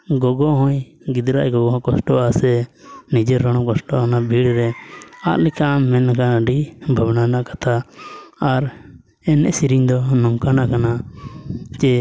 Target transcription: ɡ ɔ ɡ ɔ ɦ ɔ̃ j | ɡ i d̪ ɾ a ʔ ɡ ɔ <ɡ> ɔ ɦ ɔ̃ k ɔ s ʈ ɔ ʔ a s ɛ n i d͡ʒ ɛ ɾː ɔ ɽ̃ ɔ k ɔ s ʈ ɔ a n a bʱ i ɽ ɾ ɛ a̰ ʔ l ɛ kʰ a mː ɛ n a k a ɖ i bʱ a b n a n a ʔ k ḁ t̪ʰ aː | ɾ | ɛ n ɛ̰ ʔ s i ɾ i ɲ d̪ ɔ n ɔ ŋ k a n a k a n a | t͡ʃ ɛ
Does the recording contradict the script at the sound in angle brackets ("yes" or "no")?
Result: no